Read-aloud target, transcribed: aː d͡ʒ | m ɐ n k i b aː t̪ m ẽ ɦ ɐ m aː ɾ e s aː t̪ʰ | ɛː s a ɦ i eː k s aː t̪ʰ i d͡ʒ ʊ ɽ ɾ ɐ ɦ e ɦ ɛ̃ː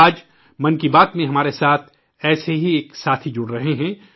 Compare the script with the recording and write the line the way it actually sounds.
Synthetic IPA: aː d͡ʒ | m ɐ n k i b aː t̪ m ẽ ɦ ɐ m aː ɾ e s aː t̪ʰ | ɛː s e ɦ i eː k s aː t̪ʰ i d͡ʒ ʊ ɽ ɾ ɐ ɦ e ɦ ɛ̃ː